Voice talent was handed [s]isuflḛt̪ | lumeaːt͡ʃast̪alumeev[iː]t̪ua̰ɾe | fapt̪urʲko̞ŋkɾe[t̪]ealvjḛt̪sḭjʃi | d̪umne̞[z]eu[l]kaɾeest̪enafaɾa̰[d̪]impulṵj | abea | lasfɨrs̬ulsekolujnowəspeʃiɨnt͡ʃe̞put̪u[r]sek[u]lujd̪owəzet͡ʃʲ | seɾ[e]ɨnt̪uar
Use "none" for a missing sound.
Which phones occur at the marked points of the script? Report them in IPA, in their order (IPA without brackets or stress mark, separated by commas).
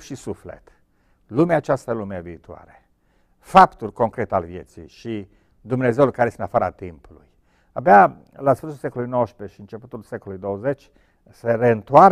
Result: ʃ, iː, t̪, z, l, t̪, l, o, e